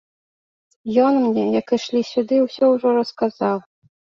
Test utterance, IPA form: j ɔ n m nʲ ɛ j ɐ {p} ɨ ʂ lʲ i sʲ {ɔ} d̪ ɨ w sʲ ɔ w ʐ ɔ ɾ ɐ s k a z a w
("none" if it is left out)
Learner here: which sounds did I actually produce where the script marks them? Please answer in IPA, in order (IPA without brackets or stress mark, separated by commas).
k, u